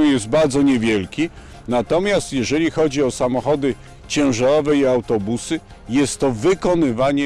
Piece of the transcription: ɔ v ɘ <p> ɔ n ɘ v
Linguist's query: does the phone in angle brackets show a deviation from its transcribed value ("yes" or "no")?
yes